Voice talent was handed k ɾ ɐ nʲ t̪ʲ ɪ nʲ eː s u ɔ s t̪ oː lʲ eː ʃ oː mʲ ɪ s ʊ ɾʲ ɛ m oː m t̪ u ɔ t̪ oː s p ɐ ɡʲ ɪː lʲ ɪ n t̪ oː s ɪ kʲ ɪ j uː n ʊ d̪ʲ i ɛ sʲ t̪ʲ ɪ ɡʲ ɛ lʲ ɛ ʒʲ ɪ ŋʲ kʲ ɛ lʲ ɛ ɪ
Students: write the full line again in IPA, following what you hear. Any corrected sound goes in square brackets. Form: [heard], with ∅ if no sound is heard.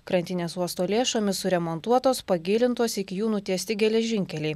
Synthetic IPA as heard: k ɾ ɐ nʲ t̪ʲ ɪ nʲ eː s u ɔ s t̪ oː lʲ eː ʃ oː mʲ ɪ s ʊ ɾʲ ɛ m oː [n] t̪ u ɔ t̪ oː s p ɐ ɡʲ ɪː lʲ ɪ n t̪ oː s ɪ kʲ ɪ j uː n ʊ [t̪ʲ] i ɛ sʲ t̪ʲ ɪ ɡʲ ɛ lʲ ɛ ʒʲ ɪ ŋʲ kʲ ɛ lʲ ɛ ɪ